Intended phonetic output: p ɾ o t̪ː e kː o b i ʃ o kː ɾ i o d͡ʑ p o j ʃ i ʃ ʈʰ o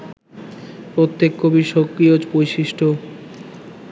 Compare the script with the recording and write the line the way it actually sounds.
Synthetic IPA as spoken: p ɾ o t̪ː e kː o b i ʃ o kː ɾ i o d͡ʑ p o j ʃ i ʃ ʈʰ o